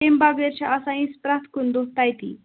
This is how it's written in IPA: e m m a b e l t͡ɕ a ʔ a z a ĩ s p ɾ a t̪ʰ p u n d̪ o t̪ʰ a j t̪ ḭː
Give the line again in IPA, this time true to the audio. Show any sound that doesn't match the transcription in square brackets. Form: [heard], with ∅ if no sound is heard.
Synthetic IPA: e m [b] a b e [ɾ] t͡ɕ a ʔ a [s] a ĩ s p ɾ a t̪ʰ [k] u n d̪ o [t̪] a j t̪ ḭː

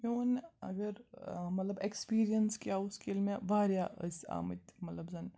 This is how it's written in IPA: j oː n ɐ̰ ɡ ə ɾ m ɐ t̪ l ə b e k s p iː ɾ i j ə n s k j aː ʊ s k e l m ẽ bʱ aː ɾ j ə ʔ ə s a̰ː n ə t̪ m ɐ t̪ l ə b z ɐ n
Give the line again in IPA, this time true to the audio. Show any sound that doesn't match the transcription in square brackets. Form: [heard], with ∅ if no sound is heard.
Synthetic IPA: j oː n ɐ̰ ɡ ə ɾ m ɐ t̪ l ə b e k s p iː ɾ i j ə n s k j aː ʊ s k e l m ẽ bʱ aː ɾ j [a] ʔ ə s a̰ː [m] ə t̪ m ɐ t̪ l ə b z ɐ n

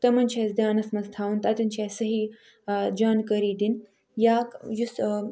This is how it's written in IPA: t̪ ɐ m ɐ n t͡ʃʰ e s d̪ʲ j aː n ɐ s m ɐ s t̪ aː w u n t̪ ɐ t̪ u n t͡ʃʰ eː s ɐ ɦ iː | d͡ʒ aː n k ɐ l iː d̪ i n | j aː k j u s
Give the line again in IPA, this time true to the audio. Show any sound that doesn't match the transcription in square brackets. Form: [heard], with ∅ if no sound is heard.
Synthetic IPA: t̪ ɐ m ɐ n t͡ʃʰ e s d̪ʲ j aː n ɐ s m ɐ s [t̪ʰ] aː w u n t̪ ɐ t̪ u n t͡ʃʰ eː s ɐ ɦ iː | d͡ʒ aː n k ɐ [ɾ] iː d̪ i n | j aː k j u s

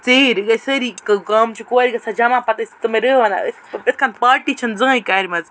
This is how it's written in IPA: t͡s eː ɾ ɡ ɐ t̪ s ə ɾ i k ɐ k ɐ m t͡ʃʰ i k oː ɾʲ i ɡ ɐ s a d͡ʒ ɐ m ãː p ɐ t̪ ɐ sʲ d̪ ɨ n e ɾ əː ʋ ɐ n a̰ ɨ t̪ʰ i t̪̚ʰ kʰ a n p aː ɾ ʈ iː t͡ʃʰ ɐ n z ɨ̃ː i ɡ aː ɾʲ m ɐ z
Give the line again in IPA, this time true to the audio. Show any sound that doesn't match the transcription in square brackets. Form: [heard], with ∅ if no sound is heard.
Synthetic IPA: t͡s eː ɾ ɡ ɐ [∅] s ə ɾ i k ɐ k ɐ m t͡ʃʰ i k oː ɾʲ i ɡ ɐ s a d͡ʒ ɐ m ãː p ɐ t̪ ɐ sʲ [t̪] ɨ [m] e ɾ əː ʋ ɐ n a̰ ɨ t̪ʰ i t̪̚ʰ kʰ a n p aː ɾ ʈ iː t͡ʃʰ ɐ n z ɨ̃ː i [k] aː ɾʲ m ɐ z

